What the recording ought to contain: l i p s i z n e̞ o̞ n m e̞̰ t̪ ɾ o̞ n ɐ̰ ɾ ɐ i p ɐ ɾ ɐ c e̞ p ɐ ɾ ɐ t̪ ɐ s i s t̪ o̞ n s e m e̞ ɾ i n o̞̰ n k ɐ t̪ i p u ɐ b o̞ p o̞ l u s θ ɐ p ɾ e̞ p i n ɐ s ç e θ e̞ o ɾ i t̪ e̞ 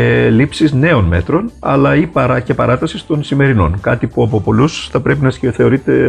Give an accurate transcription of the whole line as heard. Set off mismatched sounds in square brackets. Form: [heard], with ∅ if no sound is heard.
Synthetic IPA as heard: l i p s i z n e̞ o̞ n m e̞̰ t̪ ɾ o̞ n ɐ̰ [l] ɐ i p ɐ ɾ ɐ c e̞ p ɐ ɾ ɐ t̪ ɐ s i s t̪ o̞ n s [i] m e̞ ɾ i n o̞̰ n k ɐ t̪ i p u ɐ [p] o̞ p o̞ l u s θ ɐ p ɾ e̞ p i n ɐ s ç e θ e̞ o ɾ i t̪ e̞